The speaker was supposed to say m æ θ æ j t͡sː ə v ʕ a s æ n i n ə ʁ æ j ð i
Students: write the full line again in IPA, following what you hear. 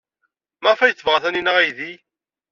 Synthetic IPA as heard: m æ f æ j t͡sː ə v ʁ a θ æ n i n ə ʁ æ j ð i